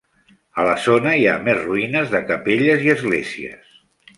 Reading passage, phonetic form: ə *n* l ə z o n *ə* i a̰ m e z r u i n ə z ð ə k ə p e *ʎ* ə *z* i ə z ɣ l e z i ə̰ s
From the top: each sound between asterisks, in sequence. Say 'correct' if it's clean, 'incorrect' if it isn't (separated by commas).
incorrect, correct, correct, correct